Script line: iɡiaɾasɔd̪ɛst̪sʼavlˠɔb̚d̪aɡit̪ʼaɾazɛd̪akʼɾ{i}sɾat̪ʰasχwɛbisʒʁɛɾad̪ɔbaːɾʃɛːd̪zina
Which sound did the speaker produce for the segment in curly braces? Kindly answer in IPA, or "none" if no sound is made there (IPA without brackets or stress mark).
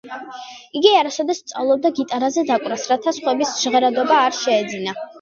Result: a